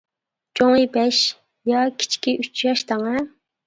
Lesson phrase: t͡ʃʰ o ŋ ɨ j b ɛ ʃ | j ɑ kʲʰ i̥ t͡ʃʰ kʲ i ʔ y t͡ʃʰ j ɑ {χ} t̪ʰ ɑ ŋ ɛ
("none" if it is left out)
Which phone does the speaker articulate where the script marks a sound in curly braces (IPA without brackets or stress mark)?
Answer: ʃ